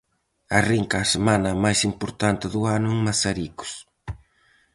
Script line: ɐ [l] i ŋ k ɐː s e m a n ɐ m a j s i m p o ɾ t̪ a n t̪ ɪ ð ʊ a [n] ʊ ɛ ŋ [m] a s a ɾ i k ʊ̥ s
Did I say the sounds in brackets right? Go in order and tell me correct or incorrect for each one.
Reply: incorrect: r, correct, correct

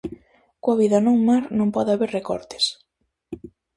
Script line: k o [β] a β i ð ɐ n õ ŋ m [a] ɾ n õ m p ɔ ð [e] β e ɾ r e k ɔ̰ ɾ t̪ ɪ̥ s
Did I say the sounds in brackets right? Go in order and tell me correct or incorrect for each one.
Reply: incorrect: none, correct, incorrect: a

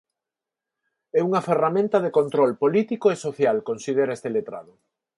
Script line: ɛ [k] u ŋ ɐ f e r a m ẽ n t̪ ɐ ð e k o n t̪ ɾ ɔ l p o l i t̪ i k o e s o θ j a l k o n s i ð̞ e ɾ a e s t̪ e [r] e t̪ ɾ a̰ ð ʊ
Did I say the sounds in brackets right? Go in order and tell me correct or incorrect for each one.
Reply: incorrect: none, incorrect: l

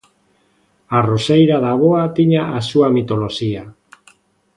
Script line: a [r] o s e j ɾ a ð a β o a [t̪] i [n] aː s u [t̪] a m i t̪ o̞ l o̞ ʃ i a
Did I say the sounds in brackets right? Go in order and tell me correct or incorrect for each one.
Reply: correct, correct, incorrect: ɲ, incorrect: none

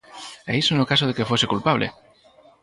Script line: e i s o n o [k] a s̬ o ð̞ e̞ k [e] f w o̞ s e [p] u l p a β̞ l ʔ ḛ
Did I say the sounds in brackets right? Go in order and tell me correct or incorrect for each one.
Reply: correct, correct, incorrect: k

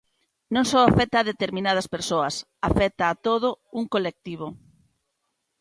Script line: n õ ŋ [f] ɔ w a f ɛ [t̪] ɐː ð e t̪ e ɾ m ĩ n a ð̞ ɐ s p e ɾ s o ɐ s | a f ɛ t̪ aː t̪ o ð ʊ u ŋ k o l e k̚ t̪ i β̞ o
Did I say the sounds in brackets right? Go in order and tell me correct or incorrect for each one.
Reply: incorrect: s, correct

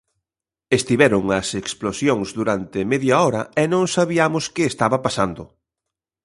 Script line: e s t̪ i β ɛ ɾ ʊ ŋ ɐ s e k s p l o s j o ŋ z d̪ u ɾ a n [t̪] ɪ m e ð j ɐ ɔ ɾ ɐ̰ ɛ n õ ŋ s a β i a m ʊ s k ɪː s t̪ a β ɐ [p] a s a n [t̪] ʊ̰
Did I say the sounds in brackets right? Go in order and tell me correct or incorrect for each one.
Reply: correct, correct, incorrect: d̪

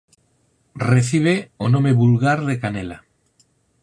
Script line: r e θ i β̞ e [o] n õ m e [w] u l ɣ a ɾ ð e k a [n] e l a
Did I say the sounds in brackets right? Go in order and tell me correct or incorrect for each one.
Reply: correct, incorrect: β, correct

